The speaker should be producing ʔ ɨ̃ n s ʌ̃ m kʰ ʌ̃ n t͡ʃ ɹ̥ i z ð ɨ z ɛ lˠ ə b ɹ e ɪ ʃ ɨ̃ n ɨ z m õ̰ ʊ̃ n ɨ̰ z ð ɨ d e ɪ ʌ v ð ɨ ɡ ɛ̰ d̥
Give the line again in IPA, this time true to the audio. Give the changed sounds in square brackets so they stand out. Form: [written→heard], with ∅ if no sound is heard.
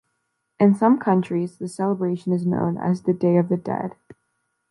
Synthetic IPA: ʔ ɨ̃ n s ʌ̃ m kʰ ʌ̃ n t͡ʃ ɹ̥ i z ð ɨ [z→s] ɛ lˠ ə b ɹ e ɪ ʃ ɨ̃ n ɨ z [m→n] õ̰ ʊ̃ n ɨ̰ z ð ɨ d e ɪ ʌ v ð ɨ [ɡ→d] ɛ̰ d̥